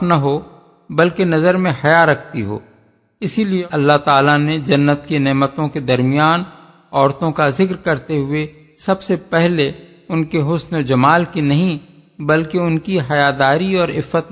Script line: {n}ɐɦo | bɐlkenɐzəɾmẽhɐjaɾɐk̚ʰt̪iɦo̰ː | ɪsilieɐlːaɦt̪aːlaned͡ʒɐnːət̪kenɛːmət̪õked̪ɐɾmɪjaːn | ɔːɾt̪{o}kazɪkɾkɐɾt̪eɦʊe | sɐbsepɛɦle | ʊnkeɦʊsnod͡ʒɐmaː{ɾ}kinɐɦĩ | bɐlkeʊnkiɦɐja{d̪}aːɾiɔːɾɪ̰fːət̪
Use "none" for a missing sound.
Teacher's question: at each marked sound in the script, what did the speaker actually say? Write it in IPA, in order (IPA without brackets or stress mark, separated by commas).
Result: n, õ, l, d̪